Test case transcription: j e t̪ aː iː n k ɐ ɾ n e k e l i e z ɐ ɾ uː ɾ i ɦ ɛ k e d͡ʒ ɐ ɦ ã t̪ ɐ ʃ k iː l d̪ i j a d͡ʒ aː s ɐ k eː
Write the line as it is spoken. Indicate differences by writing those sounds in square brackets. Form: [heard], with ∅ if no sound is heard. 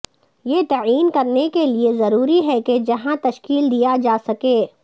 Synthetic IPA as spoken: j e t̪ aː iː n k ɐ ɾ n e k e l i e z ɐ ɾ uː ɾ i ɦ ɛ k e d͡ʒ ɐ ɦ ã t̪ ɐ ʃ k iː l d̪ i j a d͡ʒ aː s ɐ k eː